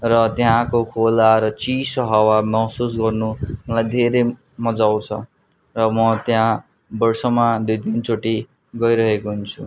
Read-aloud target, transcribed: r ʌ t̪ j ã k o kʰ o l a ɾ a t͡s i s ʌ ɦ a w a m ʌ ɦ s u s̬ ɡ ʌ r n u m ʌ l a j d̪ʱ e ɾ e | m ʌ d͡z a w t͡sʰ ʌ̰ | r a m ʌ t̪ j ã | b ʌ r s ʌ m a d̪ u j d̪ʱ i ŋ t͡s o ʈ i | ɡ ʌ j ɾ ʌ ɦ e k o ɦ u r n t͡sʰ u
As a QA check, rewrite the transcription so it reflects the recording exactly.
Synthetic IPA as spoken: r ʌ t̪ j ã k o kʰ o l a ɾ ʌ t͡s i s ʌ ɦ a w a m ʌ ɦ s u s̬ ɡ ʌ r n u m ʌ l a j d̪ʱ e ɾ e | m ʌ d͡z a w t͡sʰ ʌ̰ | r ʌ m ʌ t̪ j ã | b ʌ r s ʌ m a d̪ u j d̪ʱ i n t͡s o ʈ i | ɡ ʌ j ɾ ʌ ɦ e k o ɦ u n t͡sʰ u